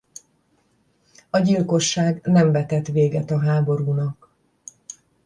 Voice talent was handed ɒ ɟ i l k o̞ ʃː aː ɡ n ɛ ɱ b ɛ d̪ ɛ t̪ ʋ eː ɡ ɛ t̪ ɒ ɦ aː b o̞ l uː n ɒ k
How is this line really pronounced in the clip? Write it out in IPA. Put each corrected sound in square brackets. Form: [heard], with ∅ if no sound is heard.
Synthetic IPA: ɒ ɟ i l k o̞ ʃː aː ɡ n ɛ ɱ [v] ɛ [t̪] ɛ t̪ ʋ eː ɡ ɛ t̪ ɒ ɦ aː b o̞ [ɾ] uː n ɒ k